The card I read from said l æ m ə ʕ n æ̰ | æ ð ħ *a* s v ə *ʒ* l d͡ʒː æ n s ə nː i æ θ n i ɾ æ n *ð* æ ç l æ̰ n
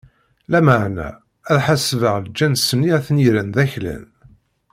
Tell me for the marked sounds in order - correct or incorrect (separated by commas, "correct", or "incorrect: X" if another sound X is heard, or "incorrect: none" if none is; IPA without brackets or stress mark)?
correct, incorrect: ʁ, correct